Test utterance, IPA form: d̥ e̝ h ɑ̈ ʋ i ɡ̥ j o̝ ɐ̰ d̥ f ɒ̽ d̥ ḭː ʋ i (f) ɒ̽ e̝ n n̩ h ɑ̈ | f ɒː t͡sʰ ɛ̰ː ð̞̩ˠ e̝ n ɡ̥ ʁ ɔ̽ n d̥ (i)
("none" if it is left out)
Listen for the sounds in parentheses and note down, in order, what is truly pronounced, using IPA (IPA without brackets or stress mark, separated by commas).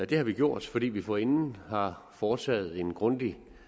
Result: f, i